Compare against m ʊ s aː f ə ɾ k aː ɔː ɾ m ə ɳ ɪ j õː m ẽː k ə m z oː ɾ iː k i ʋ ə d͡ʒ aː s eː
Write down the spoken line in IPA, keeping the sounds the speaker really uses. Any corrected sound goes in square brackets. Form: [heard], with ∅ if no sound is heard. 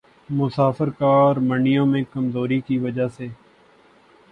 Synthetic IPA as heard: m ʊ s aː f ə ɾ k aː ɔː ɾ m ə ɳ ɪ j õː m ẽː k ə m z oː ɾ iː k i ʋ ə d͡ʒ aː s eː